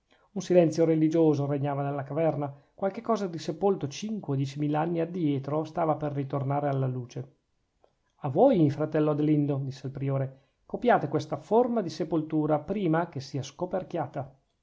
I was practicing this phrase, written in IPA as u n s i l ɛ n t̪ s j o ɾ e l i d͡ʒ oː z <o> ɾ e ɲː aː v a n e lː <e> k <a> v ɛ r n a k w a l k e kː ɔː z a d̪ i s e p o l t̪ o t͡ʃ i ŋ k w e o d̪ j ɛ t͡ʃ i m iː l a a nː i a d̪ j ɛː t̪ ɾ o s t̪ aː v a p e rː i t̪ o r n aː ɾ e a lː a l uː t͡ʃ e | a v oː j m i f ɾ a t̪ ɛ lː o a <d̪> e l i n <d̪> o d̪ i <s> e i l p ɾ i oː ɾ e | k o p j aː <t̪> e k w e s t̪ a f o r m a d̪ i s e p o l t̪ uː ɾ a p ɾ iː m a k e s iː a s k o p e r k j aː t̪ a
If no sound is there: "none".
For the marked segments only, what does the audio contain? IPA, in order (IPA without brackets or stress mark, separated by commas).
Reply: o, a, a, d̪, d̪, sː, t̪